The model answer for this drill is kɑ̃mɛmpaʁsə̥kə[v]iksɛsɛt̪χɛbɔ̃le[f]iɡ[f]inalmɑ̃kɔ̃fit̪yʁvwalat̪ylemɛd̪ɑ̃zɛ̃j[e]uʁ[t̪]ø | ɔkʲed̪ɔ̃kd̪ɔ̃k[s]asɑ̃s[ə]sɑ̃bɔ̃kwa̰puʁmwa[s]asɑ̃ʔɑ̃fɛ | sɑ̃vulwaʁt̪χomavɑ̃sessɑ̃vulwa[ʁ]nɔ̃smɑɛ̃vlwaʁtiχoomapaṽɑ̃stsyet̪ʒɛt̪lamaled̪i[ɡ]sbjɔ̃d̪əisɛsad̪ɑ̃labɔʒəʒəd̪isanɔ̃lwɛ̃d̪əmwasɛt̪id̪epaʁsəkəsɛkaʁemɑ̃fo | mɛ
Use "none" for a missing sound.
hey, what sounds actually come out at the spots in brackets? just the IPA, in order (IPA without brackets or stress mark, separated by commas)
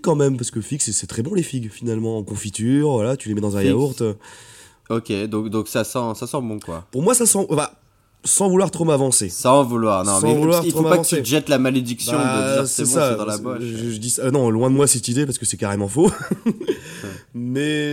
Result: f, f, f, a, t̪, s, a, s, ʁ, k